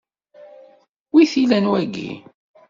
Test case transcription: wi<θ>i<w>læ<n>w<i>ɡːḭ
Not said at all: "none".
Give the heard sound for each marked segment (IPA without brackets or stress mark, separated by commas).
θ, none, n, æ